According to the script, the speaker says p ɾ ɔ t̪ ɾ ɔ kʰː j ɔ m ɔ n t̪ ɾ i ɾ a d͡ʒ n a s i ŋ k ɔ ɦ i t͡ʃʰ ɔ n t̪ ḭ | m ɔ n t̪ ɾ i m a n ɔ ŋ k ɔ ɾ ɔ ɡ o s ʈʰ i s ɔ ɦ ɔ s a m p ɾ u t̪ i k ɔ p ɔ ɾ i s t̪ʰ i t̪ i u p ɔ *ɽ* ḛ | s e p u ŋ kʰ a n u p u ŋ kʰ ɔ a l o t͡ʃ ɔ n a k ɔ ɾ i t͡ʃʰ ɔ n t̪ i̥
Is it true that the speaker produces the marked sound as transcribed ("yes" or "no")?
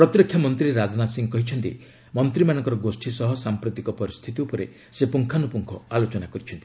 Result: no